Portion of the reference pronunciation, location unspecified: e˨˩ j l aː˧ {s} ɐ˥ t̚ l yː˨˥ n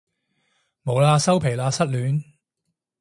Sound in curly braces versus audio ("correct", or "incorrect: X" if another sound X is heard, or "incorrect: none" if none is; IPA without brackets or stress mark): correct